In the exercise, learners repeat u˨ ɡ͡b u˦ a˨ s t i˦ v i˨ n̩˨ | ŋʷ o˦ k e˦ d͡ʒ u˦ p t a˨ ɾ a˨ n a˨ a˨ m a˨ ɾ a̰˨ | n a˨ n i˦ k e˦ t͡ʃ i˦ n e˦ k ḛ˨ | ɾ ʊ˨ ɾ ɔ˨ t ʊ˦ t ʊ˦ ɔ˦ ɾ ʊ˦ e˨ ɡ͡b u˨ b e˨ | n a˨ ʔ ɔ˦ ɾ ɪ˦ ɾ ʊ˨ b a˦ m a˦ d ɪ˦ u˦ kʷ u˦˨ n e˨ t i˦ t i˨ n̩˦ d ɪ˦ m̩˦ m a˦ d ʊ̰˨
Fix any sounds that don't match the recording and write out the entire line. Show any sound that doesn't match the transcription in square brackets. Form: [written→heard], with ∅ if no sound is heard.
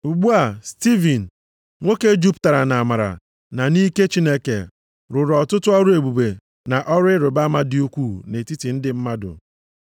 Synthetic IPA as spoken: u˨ ɡ͡b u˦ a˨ s t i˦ v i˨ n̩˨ | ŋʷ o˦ k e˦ d͡ʒ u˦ p t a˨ ɾ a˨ n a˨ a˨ m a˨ ɾ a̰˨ | n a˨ n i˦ k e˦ t͡ʃ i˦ n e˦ k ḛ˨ | ɾ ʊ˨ ɾ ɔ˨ t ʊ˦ t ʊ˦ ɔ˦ ɾ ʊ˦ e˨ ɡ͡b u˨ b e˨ | n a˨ ʔ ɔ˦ ɾ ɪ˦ ɾ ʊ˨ b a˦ m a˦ d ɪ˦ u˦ kʷ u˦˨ n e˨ t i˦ t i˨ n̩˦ d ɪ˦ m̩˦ m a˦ d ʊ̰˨

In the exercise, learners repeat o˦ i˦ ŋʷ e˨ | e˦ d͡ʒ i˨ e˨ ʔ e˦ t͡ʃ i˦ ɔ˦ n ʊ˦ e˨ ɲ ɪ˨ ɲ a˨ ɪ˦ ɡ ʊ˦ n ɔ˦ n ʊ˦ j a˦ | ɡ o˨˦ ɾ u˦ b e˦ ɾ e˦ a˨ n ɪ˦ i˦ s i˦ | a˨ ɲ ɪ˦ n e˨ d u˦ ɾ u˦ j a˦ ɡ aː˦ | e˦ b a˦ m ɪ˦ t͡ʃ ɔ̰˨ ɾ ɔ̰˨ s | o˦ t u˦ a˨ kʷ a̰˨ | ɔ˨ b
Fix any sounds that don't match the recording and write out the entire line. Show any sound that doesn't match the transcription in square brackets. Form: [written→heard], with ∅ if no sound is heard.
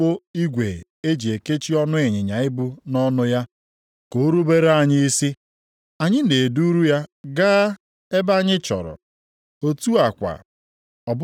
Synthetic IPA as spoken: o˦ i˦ [ŋʷ→ɡʷ] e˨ | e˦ d͡ʒ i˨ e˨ [ʔ→k] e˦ t͡ʃ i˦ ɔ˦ n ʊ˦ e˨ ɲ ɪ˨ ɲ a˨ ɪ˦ [ɡ→b] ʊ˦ n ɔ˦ n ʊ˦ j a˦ | [ɡ→k] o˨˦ ɾ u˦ b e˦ ɾ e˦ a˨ [n→ɲ] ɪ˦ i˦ s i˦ | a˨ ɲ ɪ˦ n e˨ d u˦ ɾ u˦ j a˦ ɡ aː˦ | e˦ b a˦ [m→ɲ] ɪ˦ t͡ʃ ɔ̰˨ ɾ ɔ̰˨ [s→∅] | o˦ t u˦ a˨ kʷ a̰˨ | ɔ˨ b

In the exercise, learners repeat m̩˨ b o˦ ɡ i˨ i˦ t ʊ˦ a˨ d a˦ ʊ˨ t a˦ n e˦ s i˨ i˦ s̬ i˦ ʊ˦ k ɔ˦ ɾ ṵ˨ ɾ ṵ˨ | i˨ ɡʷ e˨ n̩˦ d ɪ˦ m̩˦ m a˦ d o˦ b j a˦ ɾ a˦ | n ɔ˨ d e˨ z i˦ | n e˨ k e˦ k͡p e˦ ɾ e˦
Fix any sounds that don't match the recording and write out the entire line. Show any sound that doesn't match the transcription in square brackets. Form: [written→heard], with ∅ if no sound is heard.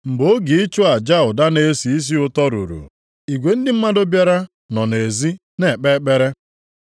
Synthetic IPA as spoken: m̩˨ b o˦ ɡ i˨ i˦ [t→t͡ʃ] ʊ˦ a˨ [d→d͡ʒ] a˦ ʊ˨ [t→d] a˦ n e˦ s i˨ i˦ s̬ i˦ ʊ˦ [k→t] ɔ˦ ɾ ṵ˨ ɾ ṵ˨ | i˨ ɡʷ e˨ n̩˦ d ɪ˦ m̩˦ m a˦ d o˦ b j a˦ ɾ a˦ | n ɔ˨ [d→n] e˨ z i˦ | n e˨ [k→k͡p] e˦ k͡p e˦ ɾ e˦

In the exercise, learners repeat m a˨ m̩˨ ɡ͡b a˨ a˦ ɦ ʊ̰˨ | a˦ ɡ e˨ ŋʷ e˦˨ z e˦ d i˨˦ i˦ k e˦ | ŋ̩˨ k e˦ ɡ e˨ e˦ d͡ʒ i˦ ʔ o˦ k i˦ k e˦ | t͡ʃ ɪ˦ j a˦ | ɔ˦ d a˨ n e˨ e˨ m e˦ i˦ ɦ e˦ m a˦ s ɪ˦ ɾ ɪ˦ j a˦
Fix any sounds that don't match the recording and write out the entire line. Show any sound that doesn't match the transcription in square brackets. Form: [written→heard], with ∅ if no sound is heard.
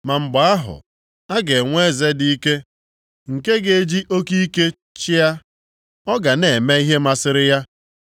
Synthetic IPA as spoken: m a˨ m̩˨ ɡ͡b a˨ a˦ ɦ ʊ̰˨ | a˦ ɡ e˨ ŋʷ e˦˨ z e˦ d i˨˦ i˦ k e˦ | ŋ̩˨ k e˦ ɡ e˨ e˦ d͡ʒ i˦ ʔ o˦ k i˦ k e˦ | t͡ʃ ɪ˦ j a˦ | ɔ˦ [d→ɡ] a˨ n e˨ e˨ m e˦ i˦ ɦ e˦ m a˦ s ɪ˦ ɾ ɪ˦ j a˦

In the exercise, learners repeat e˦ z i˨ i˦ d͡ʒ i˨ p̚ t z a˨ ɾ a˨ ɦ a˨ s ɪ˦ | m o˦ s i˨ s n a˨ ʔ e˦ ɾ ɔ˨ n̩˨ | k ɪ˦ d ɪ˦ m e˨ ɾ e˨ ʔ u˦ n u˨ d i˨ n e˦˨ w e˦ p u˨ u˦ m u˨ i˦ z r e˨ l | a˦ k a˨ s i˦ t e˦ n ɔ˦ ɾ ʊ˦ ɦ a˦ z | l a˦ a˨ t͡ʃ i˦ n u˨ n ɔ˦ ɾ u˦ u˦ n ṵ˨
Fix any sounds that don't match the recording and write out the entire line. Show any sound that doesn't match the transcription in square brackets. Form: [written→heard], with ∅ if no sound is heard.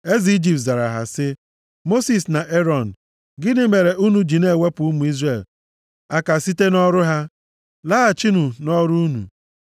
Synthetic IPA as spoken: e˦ z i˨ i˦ d͡ʒ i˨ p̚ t z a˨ ɾ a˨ ɦ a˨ s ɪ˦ | m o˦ s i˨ s n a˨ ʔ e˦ ɾ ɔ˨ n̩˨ | [k→ɡ] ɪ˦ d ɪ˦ m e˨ ɾ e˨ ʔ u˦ n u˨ [d→d͡ʒ] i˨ n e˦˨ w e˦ p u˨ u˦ m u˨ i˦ z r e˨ l | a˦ k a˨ s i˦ t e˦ n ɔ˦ ɾ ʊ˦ ɦ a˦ [z→∅] | l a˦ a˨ t͡ʃ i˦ n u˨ n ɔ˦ ɾ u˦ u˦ n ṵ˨

